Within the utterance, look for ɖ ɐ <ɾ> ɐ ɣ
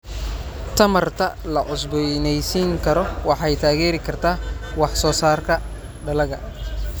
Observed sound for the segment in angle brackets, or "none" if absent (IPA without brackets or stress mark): l